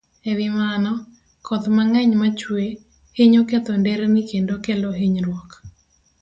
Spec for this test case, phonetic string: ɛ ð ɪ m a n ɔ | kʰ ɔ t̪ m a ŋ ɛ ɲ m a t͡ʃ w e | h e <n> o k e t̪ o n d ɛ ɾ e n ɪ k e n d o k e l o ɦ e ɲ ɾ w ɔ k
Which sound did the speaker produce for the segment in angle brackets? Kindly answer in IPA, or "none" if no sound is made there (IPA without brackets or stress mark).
ɲ